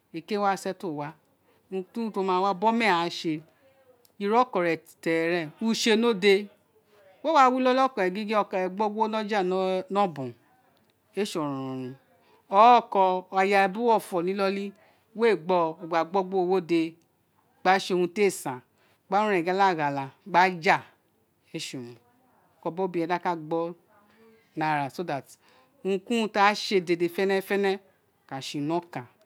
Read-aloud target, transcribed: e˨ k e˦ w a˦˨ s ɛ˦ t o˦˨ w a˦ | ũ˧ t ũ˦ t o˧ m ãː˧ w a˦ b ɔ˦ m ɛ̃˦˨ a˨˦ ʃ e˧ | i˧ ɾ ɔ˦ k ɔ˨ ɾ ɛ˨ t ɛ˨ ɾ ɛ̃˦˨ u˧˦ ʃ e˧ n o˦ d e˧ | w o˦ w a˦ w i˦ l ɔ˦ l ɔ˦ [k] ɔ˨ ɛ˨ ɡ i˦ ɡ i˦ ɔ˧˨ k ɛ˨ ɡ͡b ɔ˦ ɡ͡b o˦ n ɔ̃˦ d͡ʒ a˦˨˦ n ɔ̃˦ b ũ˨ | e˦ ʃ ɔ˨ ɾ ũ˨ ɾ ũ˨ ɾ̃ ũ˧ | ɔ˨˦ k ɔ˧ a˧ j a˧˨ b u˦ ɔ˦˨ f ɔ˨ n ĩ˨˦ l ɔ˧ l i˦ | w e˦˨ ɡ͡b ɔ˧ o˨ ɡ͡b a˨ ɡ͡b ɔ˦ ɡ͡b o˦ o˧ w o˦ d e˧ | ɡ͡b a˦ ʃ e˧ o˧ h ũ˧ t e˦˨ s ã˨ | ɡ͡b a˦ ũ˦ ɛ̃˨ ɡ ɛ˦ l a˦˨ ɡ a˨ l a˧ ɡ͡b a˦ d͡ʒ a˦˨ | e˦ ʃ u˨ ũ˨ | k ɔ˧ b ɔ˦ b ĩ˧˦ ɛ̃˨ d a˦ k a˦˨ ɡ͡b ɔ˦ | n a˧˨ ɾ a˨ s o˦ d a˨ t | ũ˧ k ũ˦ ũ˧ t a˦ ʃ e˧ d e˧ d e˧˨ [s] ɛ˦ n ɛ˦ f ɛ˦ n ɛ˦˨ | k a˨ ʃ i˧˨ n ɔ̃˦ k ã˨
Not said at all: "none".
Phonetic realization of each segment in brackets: k, f

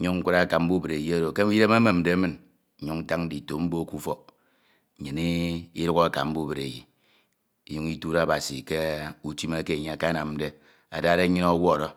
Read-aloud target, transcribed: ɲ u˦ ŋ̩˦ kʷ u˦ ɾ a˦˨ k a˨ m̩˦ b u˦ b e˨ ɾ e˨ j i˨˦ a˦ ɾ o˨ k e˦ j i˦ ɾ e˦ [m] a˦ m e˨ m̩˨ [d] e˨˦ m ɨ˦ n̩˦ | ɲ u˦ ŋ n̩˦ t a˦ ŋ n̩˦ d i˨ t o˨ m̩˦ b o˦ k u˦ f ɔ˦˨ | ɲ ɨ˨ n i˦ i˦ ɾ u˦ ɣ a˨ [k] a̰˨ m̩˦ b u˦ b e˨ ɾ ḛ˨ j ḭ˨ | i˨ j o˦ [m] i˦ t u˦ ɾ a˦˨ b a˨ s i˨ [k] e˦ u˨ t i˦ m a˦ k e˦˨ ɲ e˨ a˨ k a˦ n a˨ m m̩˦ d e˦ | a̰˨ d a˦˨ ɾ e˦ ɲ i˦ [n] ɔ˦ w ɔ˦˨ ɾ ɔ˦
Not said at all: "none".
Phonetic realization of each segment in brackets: m, d, k, ŋ, k, n

